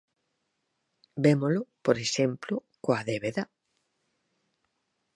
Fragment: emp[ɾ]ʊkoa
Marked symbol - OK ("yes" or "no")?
no